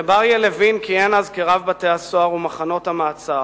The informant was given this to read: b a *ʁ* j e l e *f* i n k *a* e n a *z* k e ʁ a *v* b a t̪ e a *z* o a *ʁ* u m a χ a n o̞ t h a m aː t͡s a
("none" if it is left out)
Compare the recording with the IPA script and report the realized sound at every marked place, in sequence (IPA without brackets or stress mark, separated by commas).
ʁ, v, i, z, v, s, ʁ